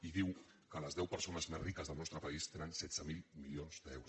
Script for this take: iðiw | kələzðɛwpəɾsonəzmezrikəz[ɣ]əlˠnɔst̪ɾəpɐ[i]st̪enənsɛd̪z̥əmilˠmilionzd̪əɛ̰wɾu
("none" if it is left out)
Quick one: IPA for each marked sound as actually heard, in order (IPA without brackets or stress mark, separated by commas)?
ð, i